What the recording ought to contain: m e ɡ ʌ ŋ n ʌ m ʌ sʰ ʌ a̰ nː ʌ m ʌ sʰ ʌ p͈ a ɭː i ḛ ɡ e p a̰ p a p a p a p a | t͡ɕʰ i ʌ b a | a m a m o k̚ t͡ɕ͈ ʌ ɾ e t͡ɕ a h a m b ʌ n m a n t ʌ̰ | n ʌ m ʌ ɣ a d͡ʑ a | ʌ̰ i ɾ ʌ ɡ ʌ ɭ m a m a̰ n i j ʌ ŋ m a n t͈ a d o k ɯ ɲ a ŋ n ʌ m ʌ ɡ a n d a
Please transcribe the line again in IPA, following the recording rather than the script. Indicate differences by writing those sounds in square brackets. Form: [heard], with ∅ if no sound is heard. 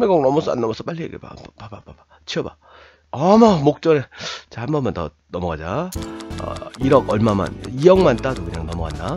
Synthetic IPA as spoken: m e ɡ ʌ ŋ n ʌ m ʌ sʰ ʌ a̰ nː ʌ m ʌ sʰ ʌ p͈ a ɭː i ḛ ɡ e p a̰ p a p a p a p a | t͡ɕʰ i ʌ b a | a m a m o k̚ t͡ɕ͈ ʌ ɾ e t͡ɕ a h a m b ʌ n m a n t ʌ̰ | n ʌ m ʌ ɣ a d͡ʑ a | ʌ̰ i ɾ ʌ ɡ ʌ ɭ m a m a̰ n i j ʌ ŋ m a n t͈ a d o k ɯ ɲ a ŋ n ʌ m ʌ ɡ a n d a